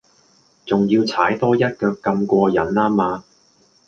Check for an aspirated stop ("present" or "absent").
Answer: present